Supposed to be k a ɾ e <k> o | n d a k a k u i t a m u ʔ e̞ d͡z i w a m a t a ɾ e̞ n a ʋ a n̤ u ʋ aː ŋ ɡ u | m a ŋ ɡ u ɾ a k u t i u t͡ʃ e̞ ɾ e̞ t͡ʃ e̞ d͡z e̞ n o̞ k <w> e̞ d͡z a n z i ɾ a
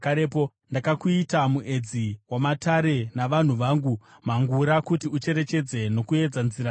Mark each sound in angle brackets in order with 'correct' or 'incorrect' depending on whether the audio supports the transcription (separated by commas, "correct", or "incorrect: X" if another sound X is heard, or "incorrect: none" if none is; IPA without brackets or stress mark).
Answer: incorrect: p, incorrect: u